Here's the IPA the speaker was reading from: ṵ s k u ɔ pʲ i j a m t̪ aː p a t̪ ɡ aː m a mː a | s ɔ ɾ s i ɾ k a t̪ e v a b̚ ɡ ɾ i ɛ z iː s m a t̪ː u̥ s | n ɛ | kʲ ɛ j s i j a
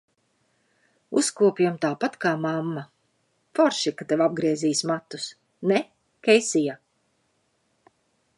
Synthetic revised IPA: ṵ s k u ɔ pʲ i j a m t̪ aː p a t̪ k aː m a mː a | f ɔ ɾ ʃ i k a t̪ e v a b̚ ɡ ɾ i ɛ z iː s m a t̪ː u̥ s | n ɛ | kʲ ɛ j s i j a

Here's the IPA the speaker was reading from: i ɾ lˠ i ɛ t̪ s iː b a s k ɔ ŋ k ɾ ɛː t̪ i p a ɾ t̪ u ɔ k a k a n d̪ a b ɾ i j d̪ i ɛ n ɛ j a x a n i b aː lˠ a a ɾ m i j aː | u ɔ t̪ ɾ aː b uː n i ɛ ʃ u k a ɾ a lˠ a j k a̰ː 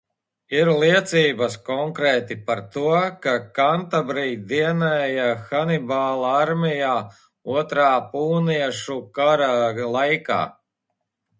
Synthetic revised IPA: i ɾ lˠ i ɛ t̪ s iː b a s k ɔ ŋ k ɾ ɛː t̪ i p a ɾ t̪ u ɔ k a k a n t̪ a b ɾ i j d̪ i ɛ n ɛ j a x a n i b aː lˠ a a ɾ m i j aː | u ɔ t̪ ɾ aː p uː n i ɛ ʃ u k a ɾ a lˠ a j k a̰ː

